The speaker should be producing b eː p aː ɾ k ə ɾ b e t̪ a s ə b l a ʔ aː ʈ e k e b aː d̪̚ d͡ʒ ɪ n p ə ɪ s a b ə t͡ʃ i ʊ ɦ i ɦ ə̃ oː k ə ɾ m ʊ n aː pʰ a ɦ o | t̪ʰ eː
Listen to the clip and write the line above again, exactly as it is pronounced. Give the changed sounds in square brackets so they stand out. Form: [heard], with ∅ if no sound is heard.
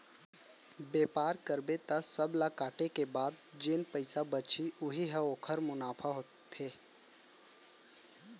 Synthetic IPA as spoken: b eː p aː ɾ k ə ɾ b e t̪ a s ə b l a [k] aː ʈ e k e b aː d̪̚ d͡ʒ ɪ n p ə ɪ s a b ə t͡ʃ i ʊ ɦ i ɦ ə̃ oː [kʰ] ə ɾ m ʊ n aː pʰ a ɦ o | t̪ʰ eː